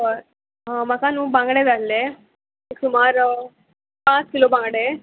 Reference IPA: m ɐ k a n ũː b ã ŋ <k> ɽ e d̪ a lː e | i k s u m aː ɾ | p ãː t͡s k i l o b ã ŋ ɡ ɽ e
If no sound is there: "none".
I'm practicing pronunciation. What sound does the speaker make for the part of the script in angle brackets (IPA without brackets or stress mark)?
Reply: ɡ